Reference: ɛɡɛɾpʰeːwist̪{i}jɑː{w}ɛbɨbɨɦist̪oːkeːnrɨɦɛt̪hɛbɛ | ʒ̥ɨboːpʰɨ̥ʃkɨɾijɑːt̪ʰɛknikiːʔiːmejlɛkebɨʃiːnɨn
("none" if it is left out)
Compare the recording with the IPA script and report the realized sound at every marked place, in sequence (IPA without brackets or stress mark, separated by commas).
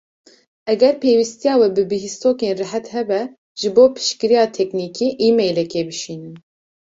i, w